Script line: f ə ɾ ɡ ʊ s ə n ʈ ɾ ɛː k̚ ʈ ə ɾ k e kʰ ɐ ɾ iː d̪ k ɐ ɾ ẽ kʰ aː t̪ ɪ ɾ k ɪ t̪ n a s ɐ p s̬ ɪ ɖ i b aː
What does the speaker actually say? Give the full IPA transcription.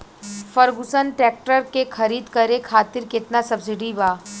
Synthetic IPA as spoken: f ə ɾ ɡ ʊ s ə n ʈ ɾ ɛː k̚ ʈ ə ɾ k e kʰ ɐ ɾ iː d̪ k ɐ ɾ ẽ kʰ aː t̪ ɪ ɾ k ɪ t̪ n a s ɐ b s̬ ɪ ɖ i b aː

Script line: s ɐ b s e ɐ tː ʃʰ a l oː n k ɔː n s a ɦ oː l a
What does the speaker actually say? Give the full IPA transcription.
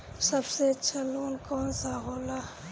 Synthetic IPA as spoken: s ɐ b s e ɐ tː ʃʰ a l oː n k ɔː n s a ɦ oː l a

